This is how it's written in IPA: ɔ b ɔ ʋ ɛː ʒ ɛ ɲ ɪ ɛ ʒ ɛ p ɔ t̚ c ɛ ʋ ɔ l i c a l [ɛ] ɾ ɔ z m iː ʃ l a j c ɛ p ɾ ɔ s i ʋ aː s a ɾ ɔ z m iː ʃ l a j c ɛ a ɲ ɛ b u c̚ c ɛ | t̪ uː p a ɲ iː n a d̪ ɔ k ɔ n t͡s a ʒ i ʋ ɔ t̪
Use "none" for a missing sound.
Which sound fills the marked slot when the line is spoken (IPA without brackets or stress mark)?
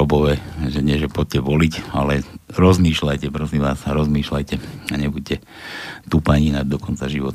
ɛ